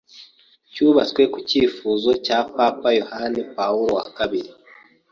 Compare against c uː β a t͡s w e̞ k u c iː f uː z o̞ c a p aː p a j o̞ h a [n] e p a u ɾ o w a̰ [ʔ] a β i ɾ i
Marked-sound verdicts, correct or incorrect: correct, incorrect

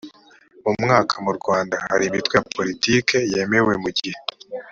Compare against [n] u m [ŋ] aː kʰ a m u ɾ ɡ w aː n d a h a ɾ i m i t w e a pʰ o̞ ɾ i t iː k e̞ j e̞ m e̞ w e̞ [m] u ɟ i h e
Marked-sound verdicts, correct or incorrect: incorrect, correct, correct

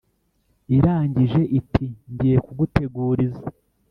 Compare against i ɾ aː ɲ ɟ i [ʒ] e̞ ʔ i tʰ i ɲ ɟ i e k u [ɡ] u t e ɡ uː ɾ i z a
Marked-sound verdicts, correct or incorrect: correct, correct

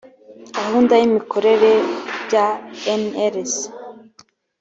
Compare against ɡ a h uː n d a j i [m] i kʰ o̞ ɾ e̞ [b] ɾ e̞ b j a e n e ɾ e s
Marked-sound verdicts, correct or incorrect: correct, incorrect

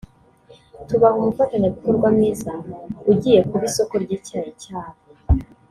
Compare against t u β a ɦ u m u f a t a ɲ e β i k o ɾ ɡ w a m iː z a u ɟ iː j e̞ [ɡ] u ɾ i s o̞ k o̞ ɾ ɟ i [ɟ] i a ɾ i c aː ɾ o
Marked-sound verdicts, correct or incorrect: incorrect, incorrect

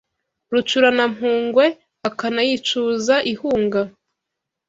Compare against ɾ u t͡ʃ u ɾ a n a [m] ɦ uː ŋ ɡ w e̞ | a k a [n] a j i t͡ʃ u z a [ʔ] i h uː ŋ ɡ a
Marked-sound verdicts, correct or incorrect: correct, correct, correct

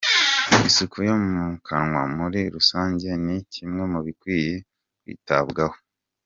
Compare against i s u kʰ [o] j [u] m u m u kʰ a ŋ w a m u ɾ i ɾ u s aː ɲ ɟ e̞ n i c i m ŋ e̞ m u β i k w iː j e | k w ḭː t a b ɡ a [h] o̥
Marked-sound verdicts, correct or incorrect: incorrect, incorrect, correct

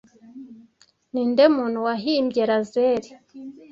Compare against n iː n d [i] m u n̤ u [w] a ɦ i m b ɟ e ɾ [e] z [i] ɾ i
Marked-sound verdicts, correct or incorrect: incorrect, correct, incorrect, incorrect

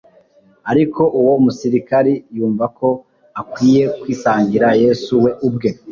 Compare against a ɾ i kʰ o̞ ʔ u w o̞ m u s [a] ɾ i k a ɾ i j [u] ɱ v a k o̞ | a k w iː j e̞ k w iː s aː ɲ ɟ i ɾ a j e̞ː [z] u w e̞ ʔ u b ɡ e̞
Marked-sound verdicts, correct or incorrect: incorrect, incorrect, incorrect

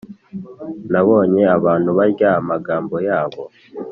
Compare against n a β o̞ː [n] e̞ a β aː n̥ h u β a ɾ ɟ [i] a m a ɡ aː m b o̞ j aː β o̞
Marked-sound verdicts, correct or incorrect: incorrect, incorrect

